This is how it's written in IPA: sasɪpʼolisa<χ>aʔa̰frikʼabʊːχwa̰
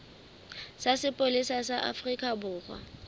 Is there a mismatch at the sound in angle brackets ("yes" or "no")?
yes